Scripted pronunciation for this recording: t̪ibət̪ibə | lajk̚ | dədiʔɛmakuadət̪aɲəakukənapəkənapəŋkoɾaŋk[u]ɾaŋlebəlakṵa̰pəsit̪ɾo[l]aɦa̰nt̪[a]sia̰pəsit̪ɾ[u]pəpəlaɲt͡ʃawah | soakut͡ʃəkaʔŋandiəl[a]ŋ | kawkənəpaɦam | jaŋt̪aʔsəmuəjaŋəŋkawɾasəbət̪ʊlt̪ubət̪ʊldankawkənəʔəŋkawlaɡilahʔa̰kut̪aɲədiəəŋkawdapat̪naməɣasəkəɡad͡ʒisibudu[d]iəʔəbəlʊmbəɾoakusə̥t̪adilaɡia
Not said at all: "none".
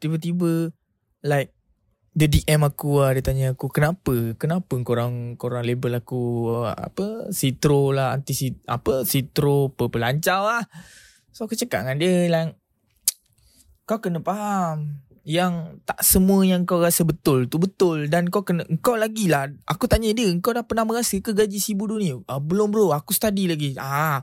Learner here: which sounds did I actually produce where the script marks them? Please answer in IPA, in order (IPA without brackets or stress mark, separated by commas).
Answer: o, l, i, o, a, n